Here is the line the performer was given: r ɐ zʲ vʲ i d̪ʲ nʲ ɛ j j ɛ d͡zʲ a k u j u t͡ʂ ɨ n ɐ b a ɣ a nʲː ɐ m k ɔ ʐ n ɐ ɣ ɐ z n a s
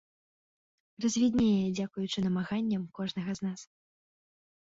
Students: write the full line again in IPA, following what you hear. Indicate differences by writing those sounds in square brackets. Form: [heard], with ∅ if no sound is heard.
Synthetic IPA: r ɐ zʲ vʲ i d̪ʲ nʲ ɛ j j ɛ d͡zʲ a k u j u t͡ʂ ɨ n ɐ [m] a ɣ a nʲː ɐ m k ɔ ʐ n ɐ ɣ ɐ z n a s